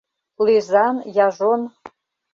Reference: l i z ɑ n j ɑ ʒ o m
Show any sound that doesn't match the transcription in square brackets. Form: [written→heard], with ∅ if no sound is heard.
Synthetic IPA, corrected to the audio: l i z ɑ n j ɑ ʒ o [m→n]